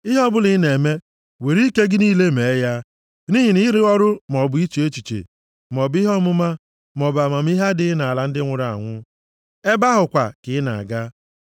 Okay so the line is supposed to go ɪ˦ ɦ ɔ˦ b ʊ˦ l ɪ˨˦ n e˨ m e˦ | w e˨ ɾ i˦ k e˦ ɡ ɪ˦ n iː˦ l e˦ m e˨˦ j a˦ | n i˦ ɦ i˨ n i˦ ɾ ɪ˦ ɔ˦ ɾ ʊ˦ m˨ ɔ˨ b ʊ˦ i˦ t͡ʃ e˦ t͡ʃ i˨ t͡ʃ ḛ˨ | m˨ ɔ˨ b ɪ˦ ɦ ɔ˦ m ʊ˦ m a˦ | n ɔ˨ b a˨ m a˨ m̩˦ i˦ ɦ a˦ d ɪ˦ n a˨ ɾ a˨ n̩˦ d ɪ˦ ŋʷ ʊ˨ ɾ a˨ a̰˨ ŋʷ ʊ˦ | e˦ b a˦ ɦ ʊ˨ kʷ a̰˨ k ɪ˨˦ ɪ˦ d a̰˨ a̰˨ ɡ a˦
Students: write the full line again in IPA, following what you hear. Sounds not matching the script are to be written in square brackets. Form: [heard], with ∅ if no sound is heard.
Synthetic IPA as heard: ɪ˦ ɦ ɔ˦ b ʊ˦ l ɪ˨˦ n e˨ m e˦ | w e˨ ɾ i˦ k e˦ ɡ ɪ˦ n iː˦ l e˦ m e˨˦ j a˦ | n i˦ ɦ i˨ n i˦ ɾ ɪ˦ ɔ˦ ɾ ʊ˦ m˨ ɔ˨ b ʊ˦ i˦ t͡ʃ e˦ t͡ʃ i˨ t͡ʃ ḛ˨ | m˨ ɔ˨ b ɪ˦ ɦ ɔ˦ m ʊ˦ m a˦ | [m] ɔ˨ b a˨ m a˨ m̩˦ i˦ ɦ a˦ d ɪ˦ n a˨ [l] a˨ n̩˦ d ɪ˦ ŋʷ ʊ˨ ɾ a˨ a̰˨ ŋʷ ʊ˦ | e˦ b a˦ ɦ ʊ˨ kʷ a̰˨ k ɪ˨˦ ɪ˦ [n] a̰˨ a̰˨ ɡ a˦